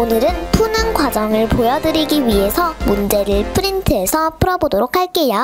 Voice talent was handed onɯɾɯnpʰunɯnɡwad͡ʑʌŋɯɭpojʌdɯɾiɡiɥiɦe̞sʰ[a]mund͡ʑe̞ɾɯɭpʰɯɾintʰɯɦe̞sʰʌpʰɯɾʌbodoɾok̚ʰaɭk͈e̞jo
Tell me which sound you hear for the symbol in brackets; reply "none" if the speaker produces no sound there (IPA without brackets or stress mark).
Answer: ʌ